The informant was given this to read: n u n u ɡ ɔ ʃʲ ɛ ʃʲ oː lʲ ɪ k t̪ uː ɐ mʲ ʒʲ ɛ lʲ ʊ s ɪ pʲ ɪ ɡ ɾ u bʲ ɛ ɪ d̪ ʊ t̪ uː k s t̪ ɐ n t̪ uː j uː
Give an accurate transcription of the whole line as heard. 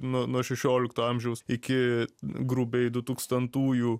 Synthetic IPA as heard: n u n u ɔ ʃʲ ɛ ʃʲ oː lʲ ɪ k t̪ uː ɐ mʲ ʒʲ ɛ ʊ s ɪ kʲ ɪ ɡ ɾ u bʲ ɛ ɪ d̪ ʊ t̪ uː k s t̪ ɐ n t̪ uː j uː